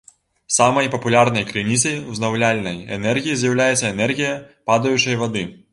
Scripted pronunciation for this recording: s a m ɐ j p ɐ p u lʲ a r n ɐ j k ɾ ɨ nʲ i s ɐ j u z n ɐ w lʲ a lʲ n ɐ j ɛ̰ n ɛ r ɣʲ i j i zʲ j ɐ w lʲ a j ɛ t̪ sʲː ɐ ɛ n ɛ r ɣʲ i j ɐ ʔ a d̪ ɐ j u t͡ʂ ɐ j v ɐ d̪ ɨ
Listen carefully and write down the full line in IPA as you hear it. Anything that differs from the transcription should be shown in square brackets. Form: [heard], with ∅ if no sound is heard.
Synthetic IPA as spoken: s a m ɐ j p ɐ p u lʲ a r n ɐ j k ɾ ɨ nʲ i s ɐ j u z n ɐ w lʲ a lʲ n ɐ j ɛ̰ n ɛ r ɣʲ i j i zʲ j ɐ w lʲ a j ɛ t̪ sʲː ɐ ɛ n ɛ r ɣʲ i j ɐ [p] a d̪ ɐ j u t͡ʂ ɐ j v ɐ d̪ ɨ

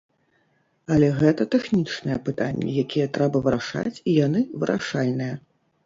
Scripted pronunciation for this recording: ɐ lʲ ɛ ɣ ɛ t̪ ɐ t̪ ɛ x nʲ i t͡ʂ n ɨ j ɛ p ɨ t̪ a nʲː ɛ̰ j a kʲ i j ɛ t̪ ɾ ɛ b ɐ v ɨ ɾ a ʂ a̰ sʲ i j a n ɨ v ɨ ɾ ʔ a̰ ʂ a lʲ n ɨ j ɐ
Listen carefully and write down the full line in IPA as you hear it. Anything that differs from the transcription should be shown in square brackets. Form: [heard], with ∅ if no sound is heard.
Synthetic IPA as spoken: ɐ lʲ ɛ ɣ ɛ t̪ ɐ t̪ ɛ x nʲ i t͡ʂ n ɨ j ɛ p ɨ t̪ a nʲː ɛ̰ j a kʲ i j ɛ t̪ ɾ ɛ b ɐ v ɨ ɾ a ʂ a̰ [t͡sʲ] i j a n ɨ v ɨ ɾ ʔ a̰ ʂ a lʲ n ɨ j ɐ

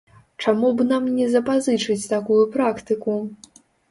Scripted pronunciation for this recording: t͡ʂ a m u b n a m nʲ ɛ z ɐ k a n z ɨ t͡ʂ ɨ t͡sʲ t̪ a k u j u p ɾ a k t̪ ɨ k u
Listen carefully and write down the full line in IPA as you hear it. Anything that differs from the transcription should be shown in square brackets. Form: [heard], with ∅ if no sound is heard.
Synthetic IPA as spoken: t͡ʂ a m u b n a m nʲ ɛ z ɐ [p] a [∅] z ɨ t͡ʂ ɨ t͡sʲ t̪ a k u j u p ɾ a k t̪ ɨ k u

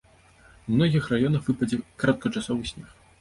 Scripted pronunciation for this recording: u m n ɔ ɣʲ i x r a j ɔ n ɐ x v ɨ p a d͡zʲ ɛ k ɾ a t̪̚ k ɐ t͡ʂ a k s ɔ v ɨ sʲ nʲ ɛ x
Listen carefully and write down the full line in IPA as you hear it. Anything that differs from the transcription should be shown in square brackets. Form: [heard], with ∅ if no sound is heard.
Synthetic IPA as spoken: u m n ɔ ɣʲ i x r a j ɔ n ɐ x v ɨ p [ɐ] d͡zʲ ɛ k ɾ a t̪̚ k ɐ t͡ʂ a [∅] s ɔ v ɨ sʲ nʲ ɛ x

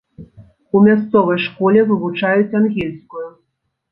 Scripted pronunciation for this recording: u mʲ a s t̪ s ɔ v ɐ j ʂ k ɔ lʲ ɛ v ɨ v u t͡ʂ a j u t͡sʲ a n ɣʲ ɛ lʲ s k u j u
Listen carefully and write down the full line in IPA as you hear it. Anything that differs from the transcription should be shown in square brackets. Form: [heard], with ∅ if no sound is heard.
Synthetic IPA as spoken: u mʲ a s t̪ s ɔ v ɐ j ʂ k ɔ lʲ ɛ v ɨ v u t͡ʂ a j u t͡sʲ a n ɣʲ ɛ lʲ s k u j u

